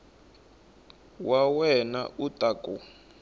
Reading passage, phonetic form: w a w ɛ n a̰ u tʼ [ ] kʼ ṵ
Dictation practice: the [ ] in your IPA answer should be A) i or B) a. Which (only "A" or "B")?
B